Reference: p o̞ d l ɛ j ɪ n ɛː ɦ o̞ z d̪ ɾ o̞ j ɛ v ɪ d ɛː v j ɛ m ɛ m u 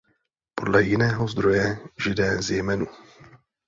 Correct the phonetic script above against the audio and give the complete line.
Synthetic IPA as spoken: p o̞ d l ɛ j ɪ n ɛː ɦ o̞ z d̪ ɾ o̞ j ɛ ʒ ɪ d ɛː z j ɛ m ɛ n u